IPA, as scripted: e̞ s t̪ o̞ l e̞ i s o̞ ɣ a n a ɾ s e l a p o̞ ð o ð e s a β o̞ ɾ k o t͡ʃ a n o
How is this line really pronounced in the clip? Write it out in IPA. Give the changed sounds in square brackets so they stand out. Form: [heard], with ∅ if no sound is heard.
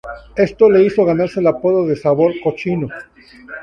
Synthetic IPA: e̞ s t̪ o̞ l e̞ i s o̞ ɣ a n a ɾ s e l a p o̞ ð o ð e s a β o̞ ɾ k o t͡ʃ [i] n o